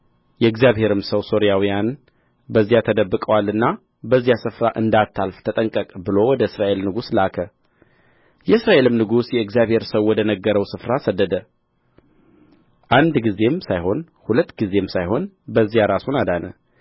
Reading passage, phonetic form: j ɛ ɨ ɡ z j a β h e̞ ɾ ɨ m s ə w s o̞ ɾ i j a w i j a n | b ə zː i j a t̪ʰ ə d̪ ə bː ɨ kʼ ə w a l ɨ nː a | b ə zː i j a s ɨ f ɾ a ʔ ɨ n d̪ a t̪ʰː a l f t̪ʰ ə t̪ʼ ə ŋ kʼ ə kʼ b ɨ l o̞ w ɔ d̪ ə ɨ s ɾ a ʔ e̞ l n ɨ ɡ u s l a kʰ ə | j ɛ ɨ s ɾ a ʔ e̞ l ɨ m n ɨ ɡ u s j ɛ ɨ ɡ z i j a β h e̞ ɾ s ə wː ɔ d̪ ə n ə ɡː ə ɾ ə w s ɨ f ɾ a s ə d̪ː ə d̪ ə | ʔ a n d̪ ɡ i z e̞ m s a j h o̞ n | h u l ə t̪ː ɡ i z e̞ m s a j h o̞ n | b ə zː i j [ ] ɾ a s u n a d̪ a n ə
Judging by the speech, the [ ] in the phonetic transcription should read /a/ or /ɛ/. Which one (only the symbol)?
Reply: a